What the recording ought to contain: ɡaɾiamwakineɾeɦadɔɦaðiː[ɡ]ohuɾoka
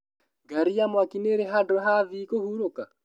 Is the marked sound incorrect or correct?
incorrect: k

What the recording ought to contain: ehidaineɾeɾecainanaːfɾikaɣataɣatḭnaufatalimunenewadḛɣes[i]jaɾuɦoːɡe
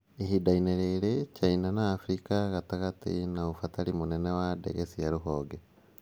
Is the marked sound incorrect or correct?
correct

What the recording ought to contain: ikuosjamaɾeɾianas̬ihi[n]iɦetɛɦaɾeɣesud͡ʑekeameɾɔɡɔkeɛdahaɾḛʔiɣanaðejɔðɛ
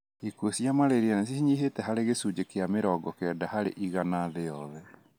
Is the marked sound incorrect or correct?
incorrect: ɲ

